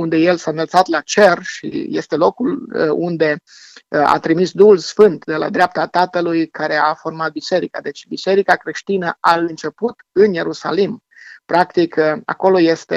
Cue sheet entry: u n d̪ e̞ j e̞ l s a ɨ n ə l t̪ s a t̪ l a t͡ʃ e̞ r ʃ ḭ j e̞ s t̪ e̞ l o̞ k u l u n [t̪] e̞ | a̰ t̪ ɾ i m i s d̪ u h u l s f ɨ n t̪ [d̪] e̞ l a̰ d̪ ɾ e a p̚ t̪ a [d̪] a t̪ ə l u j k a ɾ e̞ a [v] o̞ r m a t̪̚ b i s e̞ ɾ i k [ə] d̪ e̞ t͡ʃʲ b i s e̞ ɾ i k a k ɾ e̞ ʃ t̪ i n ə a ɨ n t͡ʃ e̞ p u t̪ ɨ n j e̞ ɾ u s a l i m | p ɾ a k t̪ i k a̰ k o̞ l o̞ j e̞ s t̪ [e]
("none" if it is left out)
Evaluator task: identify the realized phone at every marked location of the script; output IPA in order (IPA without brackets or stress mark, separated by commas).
d̪, d̪, t̪, f, a, e